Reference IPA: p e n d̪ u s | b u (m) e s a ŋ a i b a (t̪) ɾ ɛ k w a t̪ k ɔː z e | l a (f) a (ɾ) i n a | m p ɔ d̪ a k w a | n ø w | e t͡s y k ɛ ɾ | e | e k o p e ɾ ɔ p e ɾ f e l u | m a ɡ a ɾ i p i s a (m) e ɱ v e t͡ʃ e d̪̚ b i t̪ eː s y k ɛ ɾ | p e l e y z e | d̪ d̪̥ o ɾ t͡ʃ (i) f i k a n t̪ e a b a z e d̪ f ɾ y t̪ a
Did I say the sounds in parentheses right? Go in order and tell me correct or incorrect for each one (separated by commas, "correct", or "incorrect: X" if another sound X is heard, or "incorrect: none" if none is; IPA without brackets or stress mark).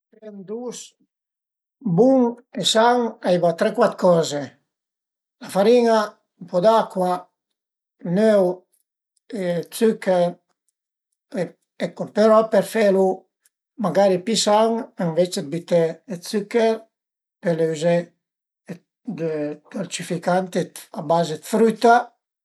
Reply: incorrect: ŋ, correct, correct, correct, incorrect: ŋ, correct